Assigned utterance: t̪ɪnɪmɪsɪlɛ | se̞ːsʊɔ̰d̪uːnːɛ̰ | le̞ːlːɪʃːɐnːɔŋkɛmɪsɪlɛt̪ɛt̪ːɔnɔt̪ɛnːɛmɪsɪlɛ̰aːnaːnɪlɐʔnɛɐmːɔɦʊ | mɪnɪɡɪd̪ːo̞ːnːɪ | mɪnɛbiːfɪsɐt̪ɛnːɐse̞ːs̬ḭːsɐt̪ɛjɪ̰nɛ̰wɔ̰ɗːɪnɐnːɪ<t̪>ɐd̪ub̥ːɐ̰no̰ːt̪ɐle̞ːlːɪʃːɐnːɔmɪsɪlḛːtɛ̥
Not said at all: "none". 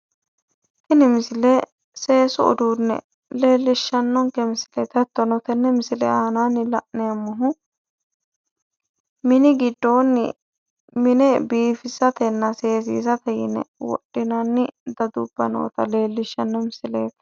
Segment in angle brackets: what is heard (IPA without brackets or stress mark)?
d̪